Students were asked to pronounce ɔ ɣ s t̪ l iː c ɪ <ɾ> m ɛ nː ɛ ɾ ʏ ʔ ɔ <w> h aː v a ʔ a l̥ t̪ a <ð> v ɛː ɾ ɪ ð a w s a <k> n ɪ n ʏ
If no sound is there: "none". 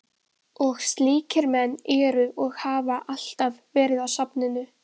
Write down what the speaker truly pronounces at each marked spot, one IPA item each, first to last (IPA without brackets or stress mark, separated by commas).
ɾ, ɣ, v, p